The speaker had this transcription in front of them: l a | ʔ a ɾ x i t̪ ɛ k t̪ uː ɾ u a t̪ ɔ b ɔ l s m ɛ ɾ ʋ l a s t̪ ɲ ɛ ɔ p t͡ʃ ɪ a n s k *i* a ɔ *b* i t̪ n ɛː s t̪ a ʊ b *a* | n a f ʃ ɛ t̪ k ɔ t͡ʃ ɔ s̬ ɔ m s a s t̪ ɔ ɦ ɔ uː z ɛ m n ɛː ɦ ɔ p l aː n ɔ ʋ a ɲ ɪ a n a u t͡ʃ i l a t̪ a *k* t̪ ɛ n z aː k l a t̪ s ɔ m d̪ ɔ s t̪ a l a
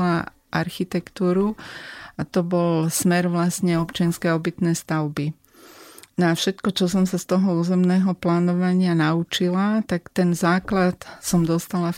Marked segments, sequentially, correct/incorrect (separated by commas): incorrect, correct, incorrect, correct